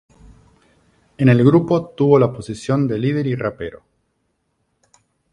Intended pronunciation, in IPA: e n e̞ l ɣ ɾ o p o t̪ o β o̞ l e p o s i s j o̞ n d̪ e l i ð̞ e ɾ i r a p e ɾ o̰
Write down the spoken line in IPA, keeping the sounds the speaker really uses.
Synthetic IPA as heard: e n e̞ l ɣ ɾ u p o t̪ u β o̞ l a p o s i s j o̞ n d̪ e l i ð̞ e ɾ i r a p e ɾ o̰